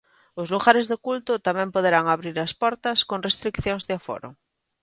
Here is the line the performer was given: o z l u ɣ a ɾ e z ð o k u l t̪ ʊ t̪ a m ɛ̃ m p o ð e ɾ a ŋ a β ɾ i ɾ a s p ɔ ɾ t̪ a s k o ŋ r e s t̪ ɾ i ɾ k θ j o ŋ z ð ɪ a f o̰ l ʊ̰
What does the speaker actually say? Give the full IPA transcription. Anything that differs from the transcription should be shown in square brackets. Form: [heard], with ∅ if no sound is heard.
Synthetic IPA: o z l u ɣ a ɾ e z ð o k u l t̪ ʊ t̪ a m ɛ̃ m p o ð e ɾ a ŋ a β ɾ i ɾ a s p ɔ ɾ t̪ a s k o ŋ r e s t̪ ɾ i [∅] k θ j o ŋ z ð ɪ a f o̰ [ɾ] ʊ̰